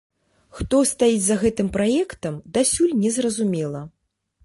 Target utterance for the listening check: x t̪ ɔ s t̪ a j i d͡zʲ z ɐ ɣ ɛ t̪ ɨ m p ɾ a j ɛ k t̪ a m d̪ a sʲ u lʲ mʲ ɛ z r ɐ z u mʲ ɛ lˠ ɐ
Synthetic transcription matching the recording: x t̪ ɔ s t̪ a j i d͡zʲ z ɐ ɣ ɛ t̪ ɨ m p ɾ a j ɛ k t̪ ɐ m d̪ a sʲ u lʲ nʲ ɛ z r ɐ z u mʲ ɛ lˠ ɐ

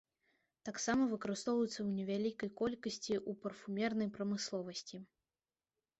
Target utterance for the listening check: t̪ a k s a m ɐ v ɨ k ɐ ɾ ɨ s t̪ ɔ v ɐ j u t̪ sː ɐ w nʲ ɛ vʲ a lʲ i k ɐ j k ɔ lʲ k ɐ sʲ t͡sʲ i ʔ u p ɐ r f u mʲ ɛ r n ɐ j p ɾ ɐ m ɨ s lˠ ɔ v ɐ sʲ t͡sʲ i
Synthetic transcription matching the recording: t̪ a k s a m ɐ v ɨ k ɐ ɾ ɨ s t̪ ɔ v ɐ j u t̪ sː ɐ w nʲ ɛ vʲ a lʲ i k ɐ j k ɔ lʲ k ɐ sʲ t͡sʲ i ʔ u p ɐ r f u mʲ ɛ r n ɐ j p ɾ ɐ m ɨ s lˠ ɔ v ɐ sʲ t͡sʲ i

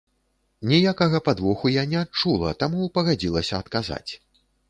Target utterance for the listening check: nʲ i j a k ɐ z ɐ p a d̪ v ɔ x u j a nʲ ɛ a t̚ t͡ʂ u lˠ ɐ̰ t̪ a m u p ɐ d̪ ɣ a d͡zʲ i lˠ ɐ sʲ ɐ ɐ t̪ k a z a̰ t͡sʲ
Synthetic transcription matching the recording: nʲ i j a k ɐ ɣ ɐ p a d̪ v ɔ x u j a nʲ ɛ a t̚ t͡ʂ u lˠ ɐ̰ t̪ a m u p ɐ ɣ a d͡zʲ i lˠ ɐ sʲ ɐ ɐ t̪ k a z a̰ t͡sʲ

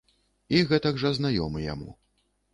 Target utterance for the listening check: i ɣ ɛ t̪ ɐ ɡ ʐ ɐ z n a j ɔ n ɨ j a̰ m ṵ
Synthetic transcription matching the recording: i ɣ ɛ t̪ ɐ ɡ ʐ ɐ z n a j ɔ m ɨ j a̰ m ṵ

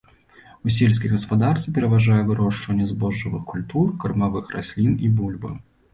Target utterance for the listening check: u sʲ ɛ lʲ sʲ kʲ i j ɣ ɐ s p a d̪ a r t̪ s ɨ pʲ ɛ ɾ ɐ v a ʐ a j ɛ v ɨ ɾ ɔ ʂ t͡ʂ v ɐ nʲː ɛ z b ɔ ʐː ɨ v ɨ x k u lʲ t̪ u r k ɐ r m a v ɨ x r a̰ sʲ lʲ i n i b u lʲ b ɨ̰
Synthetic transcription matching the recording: u sʲ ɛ lʲ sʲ kʲ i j ɣ ɐ s p a d̪ a r t̪ s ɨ pʲ ɛ ɾ ɐ v a ʐ a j ɛ v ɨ ɾ ɔ ʂ t͡ʂ v ɐ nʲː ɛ z b ɔ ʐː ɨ v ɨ x k u lʲ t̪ u r k ɐ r m a v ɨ x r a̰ sʲ lʲ i n i b u lʲ b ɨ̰

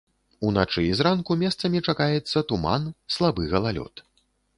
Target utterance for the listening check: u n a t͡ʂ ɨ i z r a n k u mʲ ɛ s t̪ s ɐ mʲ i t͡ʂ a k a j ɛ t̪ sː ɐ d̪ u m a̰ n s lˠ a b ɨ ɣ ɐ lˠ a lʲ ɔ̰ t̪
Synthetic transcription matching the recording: u n a t͡ʂ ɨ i z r a n k u mʲ ɛ s t̪ s ɐ mʲ i t͡ʂ a k a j ɛ t̪ sː ɐ t̪ u m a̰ n s lˠ a b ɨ ɣ ɐ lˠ a lʲ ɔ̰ t̪

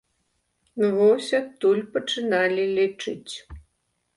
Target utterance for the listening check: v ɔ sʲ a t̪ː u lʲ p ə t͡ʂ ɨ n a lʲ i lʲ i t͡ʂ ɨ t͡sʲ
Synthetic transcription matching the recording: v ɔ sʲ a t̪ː u lʲ p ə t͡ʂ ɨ n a lʲ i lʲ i t͡ʂ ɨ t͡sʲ

